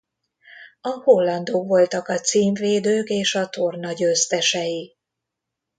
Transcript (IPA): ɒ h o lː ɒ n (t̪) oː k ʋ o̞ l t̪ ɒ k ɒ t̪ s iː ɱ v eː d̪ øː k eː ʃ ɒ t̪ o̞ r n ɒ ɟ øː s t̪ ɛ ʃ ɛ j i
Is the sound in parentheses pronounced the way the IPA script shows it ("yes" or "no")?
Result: no